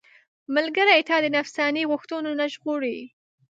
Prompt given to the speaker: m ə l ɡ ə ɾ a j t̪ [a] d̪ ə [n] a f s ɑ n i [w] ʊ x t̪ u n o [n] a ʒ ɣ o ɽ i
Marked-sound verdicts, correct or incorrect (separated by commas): incorrect, correct, incorrect, correct